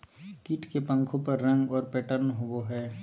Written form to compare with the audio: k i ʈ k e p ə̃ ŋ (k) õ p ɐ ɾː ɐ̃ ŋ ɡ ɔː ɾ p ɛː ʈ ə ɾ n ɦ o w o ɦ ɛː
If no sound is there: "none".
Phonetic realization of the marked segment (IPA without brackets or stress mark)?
kʰ